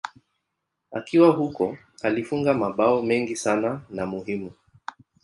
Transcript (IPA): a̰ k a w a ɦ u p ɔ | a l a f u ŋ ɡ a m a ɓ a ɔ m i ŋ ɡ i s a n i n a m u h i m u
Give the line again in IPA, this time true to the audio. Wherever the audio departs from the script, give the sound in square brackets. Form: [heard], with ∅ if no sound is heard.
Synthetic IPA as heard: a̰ k [i] w a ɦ u [k] ɔ | a l [i] f u ŋ ɡ a m a ɓ a ɔ m [ɛ] ŋ ɡ i s a n [a] n a m u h i m u